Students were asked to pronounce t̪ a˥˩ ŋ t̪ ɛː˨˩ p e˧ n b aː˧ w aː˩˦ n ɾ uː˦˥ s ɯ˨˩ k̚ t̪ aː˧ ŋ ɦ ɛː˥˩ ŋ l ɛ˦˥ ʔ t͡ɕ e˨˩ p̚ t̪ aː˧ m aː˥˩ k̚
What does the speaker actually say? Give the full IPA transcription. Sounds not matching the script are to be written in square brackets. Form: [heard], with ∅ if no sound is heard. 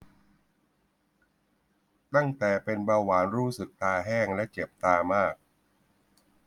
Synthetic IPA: t̪ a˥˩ ŋ t̪ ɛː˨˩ p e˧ n b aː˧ w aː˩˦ n ɾ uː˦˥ s ɯ˨˩ k̚ t̪ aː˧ [∅] ɦ ɛː˥˩ ŋ l ɛ˦˥ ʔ t͡ɕ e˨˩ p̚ t̪ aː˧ m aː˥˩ k̚

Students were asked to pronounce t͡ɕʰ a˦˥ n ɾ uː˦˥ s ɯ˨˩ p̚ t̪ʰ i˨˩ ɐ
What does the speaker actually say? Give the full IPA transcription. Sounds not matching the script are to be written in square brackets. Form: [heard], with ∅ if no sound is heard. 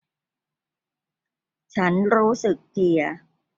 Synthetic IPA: t͡ɕʰ a˦˥ n ɾ uː˦˥ s ɯ˨˩ [k̚] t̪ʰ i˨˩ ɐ

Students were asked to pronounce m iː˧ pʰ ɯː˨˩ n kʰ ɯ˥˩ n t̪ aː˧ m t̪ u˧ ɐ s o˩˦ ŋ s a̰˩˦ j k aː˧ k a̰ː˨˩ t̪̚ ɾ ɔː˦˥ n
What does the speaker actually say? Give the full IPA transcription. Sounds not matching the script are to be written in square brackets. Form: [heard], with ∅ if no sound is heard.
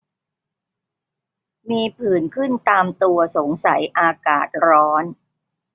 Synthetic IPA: m iː˧ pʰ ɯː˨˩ n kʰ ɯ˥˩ n t̪ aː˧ m t̪ u˧ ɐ s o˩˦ ŋ s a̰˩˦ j [ʔ] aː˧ k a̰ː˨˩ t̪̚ ɾ ɔː˦˥ n

